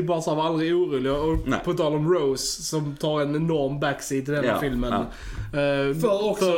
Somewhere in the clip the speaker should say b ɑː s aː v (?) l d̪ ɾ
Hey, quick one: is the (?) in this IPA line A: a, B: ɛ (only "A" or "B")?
A